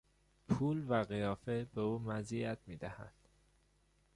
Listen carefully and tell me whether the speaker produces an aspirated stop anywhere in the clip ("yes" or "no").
yes